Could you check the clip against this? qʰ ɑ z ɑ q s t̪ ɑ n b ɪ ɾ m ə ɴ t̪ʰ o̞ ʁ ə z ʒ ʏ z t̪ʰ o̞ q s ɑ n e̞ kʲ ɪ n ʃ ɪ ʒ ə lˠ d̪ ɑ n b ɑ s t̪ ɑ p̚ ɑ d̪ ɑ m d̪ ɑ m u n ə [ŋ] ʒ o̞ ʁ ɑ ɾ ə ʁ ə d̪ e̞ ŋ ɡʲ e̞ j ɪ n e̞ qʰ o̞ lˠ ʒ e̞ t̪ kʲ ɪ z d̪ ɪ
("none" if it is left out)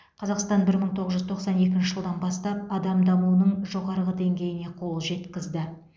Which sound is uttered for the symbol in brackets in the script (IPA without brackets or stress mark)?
ɴ